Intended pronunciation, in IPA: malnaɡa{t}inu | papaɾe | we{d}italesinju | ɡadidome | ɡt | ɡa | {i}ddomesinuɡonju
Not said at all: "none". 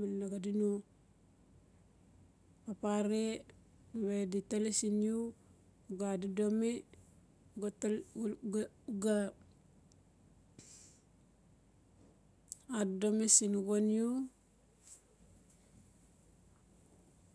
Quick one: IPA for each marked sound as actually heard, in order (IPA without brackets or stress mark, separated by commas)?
d, d, a